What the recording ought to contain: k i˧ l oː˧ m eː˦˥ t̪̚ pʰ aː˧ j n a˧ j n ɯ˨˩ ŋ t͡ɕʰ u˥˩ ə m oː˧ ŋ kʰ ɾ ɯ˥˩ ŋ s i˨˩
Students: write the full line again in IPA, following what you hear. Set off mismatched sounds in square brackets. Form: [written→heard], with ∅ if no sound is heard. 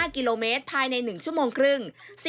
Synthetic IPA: k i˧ l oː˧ m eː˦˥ t̪̚ pʰ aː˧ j n a˧ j n ɯ˨˩ ŋ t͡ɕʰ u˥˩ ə m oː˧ ŋ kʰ ɾ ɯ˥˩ ŋ s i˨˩

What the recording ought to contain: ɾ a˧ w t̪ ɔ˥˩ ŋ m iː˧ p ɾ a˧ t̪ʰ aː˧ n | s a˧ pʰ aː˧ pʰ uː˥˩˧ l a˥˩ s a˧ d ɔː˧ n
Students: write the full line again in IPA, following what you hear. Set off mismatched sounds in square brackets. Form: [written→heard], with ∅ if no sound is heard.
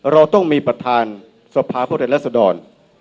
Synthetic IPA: ɾ a˧ w t̪ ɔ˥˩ ŋ m iː˧ p ɾ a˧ t̪ʰ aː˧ n | s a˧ pʰ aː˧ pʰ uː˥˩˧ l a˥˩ s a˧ d ɔː˧ n

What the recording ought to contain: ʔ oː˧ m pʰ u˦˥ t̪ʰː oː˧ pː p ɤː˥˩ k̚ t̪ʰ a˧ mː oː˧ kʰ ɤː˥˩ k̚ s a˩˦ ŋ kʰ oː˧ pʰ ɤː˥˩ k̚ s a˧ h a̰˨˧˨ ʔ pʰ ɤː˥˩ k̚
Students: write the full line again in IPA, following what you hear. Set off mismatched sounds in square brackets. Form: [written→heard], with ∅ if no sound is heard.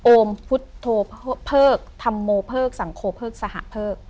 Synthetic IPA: ʔ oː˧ m pʰ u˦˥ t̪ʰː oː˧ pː [p→pʰ] ɤː˥˩ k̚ t̪ʰ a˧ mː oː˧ [kʰ→pʰ] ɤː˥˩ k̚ s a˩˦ ŋ kʰ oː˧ pʰ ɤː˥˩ k̚ s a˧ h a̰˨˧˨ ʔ pʰ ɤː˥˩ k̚

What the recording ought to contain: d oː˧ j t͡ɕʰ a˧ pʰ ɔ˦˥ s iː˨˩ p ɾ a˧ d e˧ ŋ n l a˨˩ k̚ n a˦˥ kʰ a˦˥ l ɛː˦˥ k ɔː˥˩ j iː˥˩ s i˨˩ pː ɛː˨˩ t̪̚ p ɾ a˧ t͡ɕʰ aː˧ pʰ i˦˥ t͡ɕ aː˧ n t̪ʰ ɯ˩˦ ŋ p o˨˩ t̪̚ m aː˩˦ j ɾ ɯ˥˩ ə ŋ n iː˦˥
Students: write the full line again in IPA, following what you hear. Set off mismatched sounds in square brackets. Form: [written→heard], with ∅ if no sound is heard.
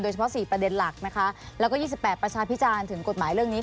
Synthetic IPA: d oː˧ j t͡ɕʰ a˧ pʰ ɔ˦˥ s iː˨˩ p ɾ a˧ d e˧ [ŋ→∅] n l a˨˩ k̚ n a˦˥ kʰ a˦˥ l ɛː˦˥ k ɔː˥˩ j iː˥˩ s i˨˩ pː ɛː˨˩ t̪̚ p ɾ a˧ t͡ɕʰ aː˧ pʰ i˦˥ t͡ɕ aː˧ n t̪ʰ ɯ˩˦ ŋ [p→k] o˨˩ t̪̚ m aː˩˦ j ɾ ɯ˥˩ ə ŋ n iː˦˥

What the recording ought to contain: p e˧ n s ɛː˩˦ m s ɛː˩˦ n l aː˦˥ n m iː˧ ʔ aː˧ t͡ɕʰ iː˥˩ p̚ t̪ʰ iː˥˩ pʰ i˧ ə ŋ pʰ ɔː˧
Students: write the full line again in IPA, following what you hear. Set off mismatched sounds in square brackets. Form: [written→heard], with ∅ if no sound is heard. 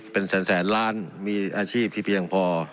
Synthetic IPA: p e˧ n s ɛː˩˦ [m→n] s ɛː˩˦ n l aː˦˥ n m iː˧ ʔ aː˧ t͡ɕʰ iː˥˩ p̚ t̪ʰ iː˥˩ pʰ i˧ ə ŋ pʰ ɔː˧

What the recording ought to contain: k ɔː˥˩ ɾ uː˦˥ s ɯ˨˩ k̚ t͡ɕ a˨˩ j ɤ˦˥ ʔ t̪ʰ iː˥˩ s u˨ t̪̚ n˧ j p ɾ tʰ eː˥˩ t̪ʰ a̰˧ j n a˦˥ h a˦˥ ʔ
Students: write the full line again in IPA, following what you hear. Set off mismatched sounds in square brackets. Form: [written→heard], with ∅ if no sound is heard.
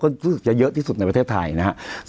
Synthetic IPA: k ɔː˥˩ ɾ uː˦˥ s ɯ˨˩ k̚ t͡ɕ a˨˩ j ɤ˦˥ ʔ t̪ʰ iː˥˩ s u˨ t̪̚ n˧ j p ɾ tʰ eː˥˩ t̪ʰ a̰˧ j n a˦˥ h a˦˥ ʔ

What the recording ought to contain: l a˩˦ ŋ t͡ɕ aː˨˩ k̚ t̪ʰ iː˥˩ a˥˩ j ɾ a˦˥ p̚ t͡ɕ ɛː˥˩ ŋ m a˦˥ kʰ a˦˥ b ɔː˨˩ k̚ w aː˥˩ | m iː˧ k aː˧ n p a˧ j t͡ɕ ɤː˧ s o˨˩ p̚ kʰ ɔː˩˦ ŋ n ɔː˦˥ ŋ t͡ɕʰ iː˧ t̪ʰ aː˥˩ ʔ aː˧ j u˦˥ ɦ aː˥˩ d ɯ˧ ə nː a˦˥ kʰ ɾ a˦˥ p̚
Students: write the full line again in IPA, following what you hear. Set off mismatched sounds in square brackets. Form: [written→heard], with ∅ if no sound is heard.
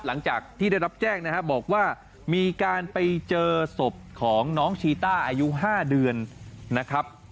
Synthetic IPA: l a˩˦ ŋ t͡ɕ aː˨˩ k̚ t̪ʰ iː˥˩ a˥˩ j ɾ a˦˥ p̚ t͡ɕ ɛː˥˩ ŋ [m→n] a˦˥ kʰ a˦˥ b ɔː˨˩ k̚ w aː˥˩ | m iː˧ k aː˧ n p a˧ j t͡ɕ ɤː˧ s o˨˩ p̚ kʰ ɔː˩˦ ŋ n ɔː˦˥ ŋ t͡ɕʰ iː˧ [t̪ʰ→t̪] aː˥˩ ʔ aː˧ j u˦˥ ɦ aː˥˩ d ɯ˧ ə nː a˦˥ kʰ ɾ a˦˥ p̚

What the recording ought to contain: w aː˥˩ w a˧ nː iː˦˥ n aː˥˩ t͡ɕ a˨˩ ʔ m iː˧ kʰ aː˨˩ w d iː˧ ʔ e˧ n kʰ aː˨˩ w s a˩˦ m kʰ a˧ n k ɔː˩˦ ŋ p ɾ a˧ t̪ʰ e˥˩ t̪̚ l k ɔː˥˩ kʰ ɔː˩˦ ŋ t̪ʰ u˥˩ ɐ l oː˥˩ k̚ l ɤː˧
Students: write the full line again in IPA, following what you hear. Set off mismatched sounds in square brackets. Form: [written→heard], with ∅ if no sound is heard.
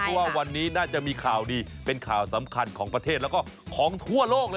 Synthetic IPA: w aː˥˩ w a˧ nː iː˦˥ n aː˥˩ t͡ɕ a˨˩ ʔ m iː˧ kʰ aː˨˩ w d iː˧ [ʔ→p] e˧ n kʰ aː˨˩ w s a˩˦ m kʰ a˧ n [k→kʰ] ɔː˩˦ ŋ p ɾ a˧ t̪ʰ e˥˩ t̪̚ l k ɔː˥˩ kʰ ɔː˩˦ ŋ t̪ʰ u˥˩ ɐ l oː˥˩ k̚ l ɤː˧

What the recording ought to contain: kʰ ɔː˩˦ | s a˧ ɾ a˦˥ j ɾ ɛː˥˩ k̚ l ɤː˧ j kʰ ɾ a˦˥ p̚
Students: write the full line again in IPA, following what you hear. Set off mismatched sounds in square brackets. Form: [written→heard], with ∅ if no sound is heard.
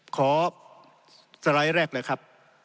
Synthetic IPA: kʰ ɔː˩˦ | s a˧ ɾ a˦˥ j ɾ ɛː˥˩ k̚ l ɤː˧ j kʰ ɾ a˦˥ p̚

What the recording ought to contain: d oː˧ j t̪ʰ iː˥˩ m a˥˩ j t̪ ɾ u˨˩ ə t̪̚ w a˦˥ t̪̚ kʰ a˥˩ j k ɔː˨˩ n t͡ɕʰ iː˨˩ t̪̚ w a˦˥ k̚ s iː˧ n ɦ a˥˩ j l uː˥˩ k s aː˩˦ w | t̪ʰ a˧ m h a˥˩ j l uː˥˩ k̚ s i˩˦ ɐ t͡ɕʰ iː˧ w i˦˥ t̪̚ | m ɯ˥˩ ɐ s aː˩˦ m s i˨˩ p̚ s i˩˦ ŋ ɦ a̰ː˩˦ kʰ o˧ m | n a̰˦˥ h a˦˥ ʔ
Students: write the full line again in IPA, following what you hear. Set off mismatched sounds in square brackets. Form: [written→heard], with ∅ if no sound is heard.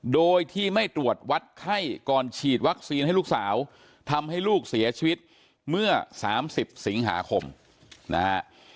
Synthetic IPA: d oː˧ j t̪ʰ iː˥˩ m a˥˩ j t̪ ɾ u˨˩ ə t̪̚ w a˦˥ t̪̚ kʰ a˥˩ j k ɔː˨˩ n t͡ɕʰ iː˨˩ t̪̚ w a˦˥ k̚ s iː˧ n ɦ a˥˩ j l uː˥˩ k s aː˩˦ w | t̪ʰ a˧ m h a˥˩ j l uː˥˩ k̚ s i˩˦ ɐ t͡ɕʰ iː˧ w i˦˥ t̪̚ | m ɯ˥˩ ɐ s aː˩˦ m s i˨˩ p̚ s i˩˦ ŋ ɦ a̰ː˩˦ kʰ o˧ m | n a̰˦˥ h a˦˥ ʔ

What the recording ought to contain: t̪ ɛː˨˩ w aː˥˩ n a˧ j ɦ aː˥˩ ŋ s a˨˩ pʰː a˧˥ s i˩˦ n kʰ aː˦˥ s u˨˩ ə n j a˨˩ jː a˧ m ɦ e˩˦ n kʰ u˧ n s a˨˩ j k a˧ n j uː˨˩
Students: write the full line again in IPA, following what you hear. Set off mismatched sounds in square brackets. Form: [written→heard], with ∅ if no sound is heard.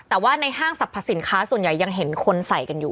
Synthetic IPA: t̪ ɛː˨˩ w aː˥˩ n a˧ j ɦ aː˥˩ ŋ s a˨˩ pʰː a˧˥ s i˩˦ n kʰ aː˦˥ s u˨˩ ə n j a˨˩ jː a˧ [m→ŋ] ɦ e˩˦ n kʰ [u˧→o˧] n s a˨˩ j k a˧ n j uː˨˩

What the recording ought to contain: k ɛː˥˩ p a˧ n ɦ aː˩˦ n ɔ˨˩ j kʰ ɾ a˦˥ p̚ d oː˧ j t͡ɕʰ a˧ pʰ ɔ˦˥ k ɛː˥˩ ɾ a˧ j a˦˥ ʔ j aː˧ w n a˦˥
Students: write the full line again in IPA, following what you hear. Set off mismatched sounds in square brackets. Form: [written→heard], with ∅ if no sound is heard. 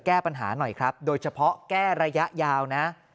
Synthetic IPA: k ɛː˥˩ p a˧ n ɦ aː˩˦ n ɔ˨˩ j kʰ ɾ a˦˥ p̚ d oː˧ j t͡ɕʰ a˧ pʰ ɔ˦˥ k ɛː˥˩ ɾ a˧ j a˦˥ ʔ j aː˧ w n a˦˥

